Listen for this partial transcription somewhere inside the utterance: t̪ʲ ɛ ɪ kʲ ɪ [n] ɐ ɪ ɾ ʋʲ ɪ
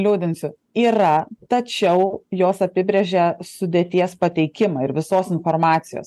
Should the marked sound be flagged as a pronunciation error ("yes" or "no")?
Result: yes